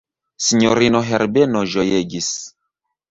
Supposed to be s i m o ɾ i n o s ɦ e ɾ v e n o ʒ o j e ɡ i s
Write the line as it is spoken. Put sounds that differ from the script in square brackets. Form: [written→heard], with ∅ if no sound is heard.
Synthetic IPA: s i [m→ɲ] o ɾ i n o [s→∅] ɦ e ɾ [v→b] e n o ʒ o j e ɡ i s